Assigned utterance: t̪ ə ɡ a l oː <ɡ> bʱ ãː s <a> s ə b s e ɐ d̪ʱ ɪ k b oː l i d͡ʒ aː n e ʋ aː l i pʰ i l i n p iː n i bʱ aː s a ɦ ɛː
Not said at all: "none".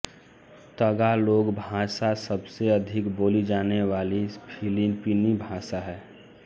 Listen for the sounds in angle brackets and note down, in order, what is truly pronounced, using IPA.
ɡ, a

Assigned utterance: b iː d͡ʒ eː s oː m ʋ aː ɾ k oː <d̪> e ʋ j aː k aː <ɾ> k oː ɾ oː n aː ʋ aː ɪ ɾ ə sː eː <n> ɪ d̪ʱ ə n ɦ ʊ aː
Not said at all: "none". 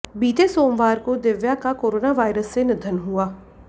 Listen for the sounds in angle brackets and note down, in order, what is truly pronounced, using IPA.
d̪, none, n

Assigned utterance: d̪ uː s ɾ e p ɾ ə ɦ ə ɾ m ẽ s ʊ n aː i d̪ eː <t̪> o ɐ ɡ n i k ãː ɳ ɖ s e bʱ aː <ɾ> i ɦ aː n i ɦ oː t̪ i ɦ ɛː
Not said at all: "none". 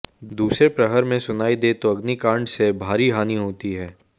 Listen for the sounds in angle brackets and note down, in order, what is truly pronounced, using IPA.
t̪, ɾ

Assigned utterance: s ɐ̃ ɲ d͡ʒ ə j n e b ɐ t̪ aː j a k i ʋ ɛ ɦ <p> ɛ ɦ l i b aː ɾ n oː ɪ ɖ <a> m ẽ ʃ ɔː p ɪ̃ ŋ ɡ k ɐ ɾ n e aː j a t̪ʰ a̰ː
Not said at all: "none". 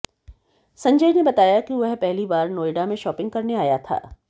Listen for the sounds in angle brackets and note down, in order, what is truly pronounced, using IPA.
p, a

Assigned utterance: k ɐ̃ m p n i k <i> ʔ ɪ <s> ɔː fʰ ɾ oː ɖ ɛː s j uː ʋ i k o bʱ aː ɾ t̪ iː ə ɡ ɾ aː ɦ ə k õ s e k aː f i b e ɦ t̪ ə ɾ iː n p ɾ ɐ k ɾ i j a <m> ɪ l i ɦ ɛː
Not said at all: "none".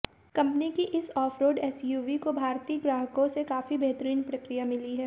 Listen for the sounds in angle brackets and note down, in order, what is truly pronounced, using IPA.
i, s, m

